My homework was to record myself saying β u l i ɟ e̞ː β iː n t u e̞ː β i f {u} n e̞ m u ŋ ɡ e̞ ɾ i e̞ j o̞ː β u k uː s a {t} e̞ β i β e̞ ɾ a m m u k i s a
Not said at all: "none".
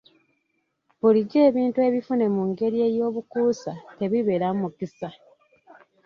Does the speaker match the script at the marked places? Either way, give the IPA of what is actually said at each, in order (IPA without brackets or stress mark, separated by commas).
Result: u, t